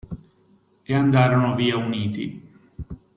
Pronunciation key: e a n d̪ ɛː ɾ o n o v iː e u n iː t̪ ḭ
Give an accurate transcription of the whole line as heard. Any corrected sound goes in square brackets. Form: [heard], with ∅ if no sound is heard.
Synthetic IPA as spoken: e a n d̪ [aː] ɾ o n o v iː [a] u n iː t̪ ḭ